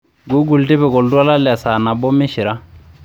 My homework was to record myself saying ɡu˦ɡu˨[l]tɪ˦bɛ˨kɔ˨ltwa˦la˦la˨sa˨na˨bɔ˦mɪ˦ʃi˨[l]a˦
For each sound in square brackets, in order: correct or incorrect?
correct, incorrect: ɾ

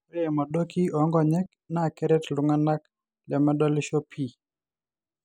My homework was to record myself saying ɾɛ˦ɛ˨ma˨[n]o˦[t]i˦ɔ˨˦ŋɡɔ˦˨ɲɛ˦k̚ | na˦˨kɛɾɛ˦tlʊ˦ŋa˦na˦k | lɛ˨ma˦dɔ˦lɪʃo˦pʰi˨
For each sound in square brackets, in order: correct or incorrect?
incorrect: d, incorrect: k

